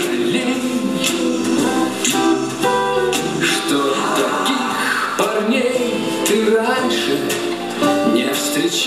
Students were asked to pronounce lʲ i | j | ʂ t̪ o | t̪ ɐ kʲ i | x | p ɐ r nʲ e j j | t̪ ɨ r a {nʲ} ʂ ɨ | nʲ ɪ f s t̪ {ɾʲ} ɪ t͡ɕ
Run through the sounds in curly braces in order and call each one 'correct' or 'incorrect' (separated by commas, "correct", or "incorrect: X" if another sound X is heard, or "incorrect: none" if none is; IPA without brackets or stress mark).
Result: correct, correct